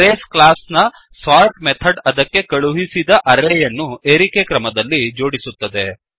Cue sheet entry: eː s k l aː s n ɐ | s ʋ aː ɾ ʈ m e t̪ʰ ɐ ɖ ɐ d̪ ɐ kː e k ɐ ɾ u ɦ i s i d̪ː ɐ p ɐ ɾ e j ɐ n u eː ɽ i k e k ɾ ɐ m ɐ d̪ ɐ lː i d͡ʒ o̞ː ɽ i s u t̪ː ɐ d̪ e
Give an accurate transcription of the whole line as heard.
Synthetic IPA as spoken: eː s k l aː s n ɐ | s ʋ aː ɾ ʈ m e t̪ʰ ɐ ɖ ɐ d̪ ɐ kː e k ɐ ɭ u ɦ i s i d̪ ɐ ʔ ɐ ɾ e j ɐ nː u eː ɾ i k e k ɾ ɐ m ɐ d̪ ɐ lː i d͡ʒ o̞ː ɽ i s u t̪ː ɐ d̪ e